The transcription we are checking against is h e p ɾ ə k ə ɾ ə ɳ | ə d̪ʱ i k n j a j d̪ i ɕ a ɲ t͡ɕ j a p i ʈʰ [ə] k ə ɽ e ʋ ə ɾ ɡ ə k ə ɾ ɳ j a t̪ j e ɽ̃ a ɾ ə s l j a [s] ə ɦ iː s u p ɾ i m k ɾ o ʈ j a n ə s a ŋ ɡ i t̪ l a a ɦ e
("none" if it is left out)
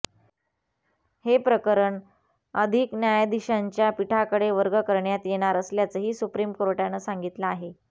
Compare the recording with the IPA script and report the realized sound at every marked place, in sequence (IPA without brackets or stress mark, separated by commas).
a, t͡s